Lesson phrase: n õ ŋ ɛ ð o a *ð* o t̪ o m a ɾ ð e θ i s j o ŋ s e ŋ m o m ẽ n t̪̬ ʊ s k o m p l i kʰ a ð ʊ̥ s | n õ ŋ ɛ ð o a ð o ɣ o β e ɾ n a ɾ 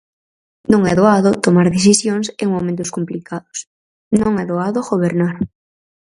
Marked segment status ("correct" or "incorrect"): correct